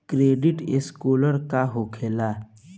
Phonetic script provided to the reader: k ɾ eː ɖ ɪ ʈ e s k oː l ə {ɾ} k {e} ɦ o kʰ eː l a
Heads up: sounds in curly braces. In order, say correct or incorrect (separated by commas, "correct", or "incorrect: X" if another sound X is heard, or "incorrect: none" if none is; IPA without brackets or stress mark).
correct, incorrect: a